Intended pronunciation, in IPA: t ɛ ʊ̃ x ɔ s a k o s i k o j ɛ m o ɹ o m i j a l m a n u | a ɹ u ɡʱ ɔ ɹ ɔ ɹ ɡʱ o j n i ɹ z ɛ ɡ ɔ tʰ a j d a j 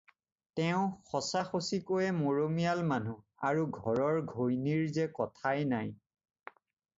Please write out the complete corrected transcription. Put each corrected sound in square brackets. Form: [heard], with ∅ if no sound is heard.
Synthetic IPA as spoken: t ɛ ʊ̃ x ɔ s a [x] o s i k o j ɛ m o ɹ o m i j a l m a n u | a ɹ u ɡʱ ɔ ɹ ɔ ɹ ɡʱ o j n i ɹ z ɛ [k] ɔ tʰ a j [n] a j